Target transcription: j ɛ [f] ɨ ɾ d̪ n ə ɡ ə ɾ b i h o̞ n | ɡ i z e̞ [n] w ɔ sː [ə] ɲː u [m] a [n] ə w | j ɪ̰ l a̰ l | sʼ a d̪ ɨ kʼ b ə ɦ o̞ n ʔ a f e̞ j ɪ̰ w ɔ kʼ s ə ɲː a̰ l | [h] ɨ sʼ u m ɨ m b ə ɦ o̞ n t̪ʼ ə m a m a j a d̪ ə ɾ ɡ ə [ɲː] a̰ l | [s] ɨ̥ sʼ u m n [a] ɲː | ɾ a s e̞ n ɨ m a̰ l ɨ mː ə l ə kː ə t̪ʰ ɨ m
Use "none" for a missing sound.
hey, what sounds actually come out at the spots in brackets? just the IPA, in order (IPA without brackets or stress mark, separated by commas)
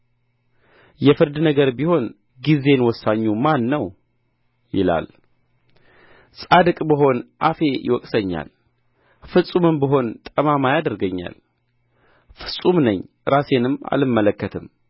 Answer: f, n, a, m, nː, f, ɲː, f, ə